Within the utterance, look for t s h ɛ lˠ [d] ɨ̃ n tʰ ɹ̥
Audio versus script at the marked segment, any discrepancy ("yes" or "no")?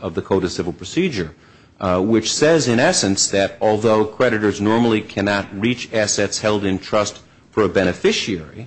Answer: no